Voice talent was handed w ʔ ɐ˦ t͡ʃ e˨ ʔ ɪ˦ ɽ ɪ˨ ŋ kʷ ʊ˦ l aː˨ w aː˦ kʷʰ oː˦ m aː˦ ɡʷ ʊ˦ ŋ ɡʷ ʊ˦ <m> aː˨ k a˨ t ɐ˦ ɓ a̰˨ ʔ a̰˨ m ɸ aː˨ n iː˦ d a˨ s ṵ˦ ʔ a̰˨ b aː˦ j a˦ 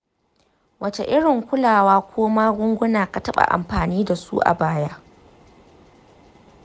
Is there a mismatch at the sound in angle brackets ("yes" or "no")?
yes